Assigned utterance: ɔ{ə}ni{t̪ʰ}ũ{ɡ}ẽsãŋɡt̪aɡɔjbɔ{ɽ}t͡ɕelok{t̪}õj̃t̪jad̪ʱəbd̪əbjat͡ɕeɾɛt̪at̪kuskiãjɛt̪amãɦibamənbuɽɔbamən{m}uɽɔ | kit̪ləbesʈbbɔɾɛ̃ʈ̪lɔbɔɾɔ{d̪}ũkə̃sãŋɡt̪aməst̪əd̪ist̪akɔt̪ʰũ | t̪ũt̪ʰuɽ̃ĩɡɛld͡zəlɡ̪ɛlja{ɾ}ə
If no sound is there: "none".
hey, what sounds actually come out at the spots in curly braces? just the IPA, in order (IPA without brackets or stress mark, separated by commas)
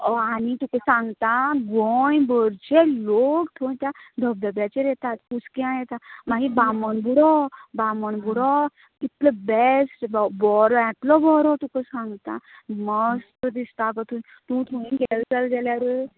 a, t̪, k, ɾ, t̪ʰ, b, t̪, ɾ